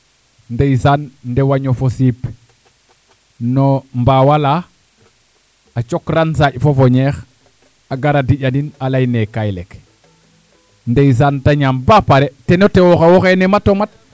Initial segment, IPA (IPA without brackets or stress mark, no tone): n